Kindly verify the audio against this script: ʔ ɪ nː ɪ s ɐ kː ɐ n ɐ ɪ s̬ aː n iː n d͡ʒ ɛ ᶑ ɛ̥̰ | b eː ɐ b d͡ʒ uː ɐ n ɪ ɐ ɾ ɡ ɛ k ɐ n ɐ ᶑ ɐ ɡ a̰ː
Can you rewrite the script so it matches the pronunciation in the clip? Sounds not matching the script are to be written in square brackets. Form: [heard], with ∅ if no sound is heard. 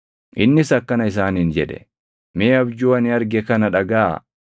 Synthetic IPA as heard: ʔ ɪ nː ɪ s ɐ kː ɐ n ɐ ɪ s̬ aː n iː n d͡ʒ ɛ ᶑ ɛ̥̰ | [m] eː ɐ b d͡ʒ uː ɐ n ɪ ɐ ɾ ɡ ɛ k ɐ n ɐ ᶑ ɐ ɡ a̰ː